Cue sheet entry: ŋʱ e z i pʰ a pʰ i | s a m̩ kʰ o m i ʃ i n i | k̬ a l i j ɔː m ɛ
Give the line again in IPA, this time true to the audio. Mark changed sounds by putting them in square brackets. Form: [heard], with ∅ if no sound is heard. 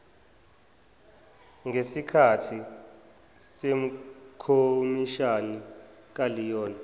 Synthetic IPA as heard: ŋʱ e [s] i [kʰ] a [tʰ] i | s [e] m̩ kʰ o m i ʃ [a] n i | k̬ a l i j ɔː [n] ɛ